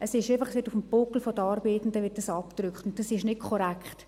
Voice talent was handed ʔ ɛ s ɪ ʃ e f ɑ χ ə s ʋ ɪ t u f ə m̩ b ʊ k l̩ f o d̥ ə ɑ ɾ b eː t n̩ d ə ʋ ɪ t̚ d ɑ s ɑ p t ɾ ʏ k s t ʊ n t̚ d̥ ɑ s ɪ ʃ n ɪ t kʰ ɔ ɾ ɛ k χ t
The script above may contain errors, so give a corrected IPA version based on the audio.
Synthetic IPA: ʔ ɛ s ɪ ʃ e f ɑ χ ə s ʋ ɪ t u f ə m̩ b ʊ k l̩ f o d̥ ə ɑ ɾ b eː t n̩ d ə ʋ ɪ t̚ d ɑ s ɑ p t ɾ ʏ k χ t ʊ n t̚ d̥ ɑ s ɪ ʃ n ɪ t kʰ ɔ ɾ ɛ k χ t